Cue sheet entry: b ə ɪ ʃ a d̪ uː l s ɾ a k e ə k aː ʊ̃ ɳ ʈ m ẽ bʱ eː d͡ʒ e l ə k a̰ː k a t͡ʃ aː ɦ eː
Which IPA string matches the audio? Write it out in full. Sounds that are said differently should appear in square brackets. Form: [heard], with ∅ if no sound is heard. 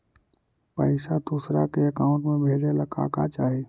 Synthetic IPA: [p] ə ɪ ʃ a d̪ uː [∅] s ɾ a k e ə k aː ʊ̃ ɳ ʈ m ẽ bʱ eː d͡ʒ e l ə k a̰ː k a t͡ʃ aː ɦ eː